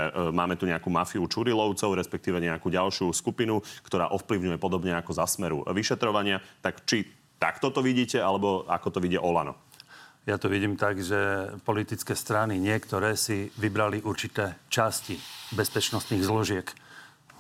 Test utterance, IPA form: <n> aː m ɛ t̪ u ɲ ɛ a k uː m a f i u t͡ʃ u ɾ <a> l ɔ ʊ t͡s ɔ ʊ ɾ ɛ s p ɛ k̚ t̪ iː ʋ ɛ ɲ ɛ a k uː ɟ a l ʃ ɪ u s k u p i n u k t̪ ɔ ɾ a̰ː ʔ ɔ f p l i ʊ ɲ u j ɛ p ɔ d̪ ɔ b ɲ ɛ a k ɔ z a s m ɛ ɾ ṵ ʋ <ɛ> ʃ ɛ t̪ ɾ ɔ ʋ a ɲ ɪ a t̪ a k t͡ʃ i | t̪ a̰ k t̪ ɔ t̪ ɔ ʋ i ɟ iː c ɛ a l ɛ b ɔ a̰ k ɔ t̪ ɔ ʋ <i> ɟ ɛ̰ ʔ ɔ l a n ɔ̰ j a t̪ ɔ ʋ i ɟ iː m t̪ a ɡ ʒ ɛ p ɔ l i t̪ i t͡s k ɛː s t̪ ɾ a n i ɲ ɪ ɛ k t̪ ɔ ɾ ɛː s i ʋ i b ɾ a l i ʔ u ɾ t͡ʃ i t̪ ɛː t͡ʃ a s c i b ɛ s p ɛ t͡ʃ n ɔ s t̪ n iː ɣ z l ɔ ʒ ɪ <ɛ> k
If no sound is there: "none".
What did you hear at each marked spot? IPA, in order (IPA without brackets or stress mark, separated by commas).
m, i, i, i, ɛ